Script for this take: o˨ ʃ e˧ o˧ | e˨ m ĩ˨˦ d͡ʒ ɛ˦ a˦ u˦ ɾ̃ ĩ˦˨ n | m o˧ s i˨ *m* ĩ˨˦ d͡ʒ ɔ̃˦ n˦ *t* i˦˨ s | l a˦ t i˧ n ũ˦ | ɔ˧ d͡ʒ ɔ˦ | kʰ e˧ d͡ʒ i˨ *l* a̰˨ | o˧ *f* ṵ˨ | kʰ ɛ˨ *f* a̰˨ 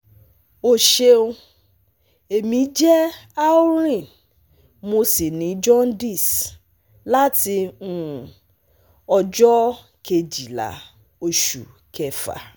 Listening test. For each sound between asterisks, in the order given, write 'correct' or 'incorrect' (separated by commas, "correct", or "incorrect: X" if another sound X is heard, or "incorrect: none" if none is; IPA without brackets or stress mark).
incorrect: n, incorrect: d, correct, incorrect: ʃ, correct